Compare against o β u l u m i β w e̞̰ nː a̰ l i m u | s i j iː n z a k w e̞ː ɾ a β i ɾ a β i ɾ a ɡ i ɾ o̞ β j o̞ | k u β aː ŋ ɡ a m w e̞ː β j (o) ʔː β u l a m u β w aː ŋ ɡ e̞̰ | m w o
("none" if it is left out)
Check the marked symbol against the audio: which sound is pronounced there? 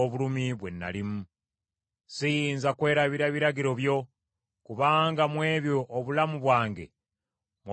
o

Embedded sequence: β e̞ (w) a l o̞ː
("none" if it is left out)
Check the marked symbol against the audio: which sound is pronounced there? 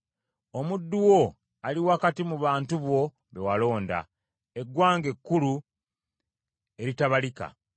w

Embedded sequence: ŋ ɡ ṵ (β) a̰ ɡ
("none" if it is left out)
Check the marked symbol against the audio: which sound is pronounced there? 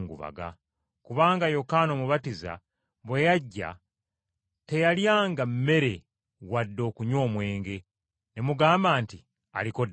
β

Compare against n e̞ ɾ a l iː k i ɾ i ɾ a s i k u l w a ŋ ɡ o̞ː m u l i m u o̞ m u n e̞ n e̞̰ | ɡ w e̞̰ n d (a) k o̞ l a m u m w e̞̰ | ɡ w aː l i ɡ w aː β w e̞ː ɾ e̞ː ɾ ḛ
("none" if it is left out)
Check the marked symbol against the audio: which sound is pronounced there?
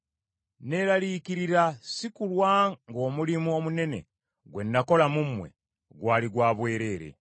a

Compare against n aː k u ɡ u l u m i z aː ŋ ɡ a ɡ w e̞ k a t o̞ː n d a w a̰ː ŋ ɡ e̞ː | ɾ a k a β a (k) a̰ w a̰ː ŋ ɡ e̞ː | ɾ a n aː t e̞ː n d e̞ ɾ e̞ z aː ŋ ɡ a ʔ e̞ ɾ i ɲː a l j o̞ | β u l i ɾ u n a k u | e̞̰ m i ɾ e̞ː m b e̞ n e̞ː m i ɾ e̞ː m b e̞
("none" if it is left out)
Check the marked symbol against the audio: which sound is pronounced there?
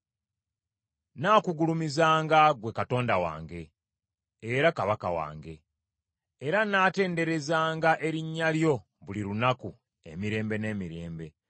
k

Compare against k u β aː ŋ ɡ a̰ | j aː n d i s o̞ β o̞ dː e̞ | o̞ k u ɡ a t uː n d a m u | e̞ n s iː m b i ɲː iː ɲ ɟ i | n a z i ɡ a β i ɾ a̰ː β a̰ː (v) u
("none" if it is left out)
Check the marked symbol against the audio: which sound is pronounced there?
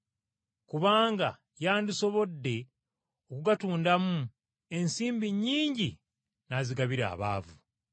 v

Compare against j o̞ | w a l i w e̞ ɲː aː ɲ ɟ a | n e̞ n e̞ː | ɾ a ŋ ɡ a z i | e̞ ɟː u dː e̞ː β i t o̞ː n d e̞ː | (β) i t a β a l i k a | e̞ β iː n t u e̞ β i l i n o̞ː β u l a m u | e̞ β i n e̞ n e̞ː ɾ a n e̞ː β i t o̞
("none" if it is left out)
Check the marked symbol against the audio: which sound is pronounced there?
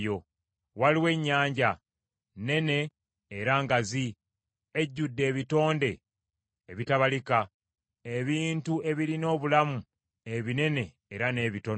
β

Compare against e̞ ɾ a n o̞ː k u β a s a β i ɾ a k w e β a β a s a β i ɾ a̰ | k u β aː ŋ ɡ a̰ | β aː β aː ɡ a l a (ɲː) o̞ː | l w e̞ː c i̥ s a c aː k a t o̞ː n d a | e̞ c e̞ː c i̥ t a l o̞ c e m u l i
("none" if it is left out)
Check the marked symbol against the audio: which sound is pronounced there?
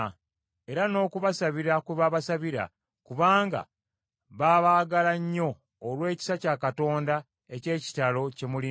ɲː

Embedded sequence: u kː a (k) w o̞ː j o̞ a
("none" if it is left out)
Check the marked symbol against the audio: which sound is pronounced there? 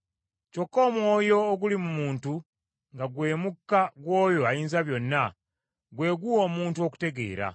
ɡ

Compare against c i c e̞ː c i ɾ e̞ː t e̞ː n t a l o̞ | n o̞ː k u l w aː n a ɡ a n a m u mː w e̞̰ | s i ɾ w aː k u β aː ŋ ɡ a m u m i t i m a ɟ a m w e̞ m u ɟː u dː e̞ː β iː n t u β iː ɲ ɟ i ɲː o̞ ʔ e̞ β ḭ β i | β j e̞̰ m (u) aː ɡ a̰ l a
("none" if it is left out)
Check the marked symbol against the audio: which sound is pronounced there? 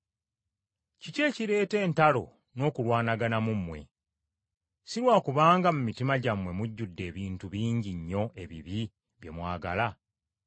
w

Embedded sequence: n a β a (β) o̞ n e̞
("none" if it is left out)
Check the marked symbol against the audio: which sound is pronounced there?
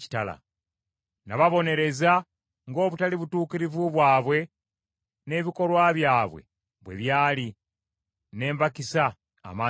β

